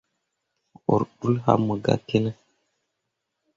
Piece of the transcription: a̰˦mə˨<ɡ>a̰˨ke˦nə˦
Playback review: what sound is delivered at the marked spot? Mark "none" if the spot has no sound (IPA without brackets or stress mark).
ɡ